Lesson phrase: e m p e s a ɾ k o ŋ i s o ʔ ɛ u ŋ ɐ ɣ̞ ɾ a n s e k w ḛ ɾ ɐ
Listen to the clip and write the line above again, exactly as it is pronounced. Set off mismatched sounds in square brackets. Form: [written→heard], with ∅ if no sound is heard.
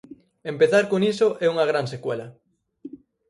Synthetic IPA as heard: e m p e [s→θ] a ɾ k o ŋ i s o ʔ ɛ u ŋ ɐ ɣ̞ ɾ a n s e k w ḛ [ɾ→l] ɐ